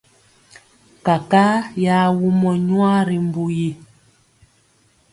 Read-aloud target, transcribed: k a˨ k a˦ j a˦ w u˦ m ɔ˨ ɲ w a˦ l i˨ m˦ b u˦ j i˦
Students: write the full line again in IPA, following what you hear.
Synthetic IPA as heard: k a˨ k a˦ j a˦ w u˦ m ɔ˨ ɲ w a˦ ɾ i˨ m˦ b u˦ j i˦

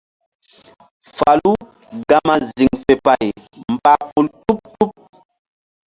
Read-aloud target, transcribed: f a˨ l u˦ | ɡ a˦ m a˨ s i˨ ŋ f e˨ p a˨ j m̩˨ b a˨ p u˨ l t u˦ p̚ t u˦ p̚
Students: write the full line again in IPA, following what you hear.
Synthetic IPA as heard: f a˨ l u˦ | ɡ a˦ m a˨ z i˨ ŋ f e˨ p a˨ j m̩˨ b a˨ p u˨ l t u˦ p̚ t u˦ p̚

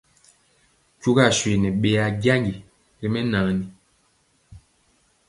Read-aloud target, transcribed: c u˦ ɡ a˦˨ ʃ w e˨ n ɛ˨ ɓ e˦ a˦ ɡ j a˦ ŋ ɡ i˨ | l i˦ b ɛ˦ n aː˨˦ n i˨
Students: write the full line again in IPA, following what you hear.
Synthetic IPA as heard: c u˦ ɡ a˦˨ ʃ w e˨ n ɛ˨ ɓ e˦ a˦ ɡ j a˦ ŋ ɡ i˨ | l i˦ m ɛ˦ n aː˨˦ n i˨

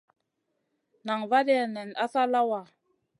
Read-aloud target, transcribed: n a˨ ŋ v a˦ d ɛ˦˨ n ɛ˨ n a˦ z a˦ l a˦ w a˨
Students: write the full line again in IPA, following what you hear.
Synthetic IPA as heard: n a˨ ŋ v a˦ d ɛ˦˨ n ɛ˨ n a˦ s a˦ l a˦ w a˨

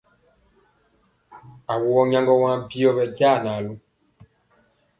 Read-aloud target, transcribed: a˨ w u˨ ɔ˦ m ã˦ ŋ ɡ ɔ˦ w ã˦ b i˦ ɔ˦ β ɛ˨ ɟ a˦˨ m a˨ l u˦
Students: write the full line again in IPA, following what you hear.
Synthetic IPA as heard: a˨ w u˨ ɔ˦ ɲ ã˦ ŋ ɡ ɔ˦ w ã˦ b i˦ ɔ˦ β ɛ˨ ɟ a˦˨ n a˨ l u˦

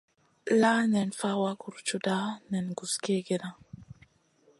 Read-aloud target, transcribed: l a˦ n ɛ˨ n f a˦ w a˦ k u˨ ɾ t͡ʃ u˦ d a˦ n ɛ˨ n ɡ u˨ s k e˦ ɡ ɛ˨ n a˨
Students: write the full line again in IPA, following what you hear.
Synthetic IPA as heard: l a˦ n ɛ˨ n f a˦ w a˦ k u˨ ɾ t͡ʃ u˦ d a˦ n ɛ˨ n ɡ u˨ s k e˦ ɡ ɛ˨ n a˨

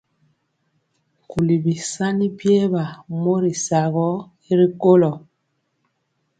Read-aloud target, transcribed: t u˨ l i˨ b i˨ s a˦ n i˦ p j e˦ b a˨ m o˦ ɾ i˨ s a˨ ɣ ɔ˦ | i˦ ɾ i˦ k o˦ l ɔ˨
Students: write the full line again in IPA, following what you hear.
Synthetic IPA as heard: k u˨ l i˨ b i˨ s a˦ n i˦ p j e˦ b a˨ m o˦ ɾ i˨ s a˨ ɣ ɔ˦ | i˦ ɾ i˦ k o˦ l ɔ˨

